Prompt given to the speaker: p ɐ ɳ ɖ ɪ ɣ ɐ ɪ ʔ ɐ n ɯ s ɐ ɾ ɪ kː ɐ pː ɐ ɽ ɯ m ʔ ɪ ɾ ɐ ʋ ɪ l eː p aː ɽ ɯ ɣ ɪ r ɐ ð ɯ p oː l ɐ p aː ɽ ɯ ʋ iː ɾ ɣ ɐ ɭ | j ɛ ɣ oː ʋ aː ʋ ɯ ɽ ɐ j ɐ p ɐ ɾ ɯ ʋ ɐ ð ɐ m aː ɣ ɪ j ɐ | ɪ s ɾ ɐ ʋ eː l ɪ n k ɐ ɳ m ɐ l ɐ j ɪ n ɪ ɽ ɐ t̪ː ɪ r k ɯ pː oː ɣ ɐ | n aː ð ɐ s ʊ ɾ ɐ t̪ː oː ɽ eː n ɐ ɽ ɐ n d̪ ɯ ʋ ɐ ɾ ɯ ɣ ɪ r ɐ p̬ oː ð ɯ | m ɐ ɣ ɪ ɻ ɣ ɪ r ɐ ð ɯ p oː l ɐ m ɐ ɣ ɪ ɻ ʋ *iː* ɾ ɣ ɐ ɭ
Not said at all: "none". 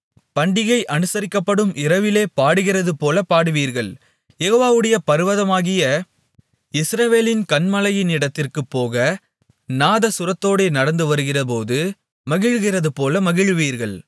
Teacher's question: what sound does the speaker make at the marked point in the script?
iː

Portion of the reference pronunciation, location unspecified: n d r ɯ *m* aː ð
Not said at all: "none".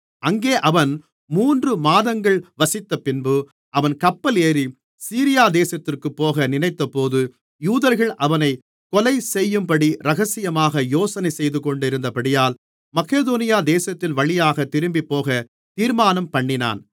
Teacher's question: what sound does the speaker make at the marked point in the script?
m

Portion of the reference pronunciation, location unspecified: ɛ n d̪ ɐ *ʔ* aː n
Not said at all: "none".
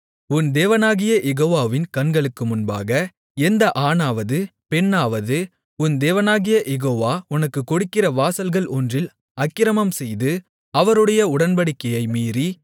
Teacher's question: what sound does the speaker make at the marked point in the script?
ʔ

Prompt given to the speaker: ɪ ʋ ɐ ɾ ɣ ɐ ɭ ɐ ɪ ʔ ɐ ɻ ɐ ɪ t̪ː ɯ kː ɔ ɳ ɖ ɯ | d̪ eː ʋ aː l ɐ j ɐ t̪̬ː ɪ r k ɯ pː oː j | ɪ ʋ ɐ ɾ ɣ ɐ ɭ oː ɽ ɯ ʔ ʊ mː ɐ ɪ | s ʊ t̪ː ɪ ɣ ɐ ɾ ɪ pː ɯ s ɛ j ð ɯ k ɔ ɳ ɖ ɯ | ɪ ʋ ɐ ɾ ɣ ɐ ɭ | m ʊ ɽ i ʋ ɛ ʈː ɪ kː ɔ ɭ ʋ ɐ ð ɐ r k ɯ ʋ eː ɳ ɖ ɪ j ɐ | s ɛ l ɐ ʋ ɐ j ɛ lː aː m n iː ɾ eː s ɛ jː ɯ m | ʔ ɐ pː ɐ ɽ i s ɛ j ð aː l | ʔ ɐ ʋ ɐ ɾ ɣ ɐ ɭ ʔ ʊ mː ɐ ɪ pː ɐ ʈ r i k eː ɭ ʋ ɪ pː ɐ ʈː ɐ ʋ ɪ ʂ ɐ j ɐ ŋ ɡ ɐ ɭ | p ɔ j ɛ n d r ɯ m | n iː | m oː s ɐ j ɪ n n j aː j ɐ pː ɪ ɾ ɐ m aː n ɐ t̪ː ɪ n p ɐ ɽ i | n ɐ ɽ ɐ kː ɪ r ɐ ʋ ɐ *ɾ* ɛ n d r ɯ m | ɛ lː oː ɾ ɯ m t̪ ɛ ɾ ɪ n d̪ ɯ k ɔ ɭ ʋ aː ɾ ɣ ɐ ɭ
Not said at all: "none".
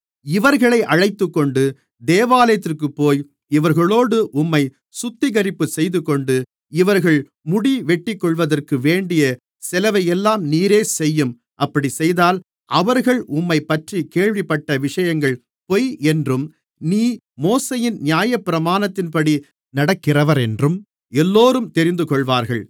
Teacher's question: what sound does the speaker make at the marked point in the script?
ɾ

